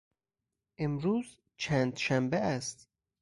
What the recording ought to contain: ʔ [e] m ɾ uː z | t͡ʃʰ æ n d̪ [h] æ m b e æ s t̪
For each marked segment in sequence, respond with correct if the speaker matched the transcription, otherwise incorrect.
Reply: correct, incorrect

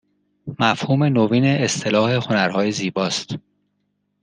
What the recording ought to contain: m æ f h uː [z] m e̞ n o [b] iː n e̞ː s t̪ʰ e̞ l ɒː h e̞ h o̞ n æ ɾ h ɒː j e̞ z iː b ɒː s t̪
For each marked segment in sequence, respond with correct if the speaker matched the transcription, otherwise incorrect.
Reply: incorrect, incorrect

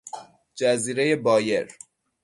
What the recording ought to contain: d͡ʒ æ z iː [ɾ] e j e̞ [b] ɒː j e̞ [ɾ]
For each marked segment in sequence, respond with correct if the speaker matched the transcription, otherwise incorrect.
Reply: correct, correct, correct

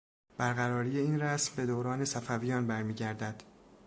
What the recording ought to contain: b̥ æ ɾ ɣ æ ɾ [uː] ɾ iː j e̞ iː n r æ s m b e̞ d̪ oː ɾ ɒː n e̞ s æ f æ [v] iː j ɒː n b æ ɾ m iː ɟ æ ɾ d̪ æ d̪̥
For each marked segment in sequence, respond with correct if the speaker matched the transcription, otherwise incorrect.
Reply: incorrect, correct

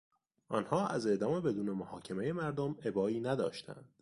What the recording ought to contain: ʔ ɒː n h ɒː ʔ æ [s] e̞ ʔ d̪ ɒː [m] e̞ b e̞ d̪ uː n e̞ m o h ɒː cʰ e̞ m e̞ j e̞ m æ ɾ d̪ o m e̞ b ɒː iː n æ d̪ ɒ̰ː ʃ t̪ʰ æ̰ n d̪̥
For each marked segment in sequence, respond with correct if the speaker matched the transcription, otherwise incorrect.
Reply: incorrect, correct

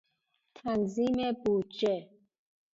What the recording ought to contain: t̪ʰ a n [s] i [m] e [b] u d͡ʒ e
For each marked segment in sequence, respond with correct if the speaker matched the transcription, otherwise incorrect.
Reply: incorrect, correct, correct

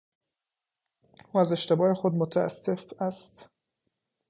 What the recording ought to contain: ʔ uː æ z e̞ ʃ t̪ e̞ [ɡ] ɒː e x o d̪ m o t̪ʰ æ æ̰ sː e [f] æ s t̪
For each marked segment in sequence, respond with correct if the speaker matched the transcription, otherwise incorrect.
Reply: incorrect, correct

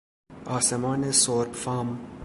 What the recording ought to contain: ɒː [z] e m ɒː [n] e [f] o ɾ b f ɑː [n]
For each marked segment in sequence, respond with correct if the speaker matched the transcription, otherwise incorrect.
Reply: incorrect, correct, incorrect, incorrect

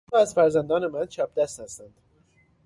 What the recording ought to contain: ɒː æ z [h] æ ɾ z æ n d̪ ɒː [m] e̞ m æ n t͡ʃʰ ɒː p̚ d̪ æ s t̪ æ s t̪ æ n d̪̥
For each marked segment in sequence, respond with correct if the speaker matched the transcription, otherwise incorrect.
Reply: incorrect, incorrect

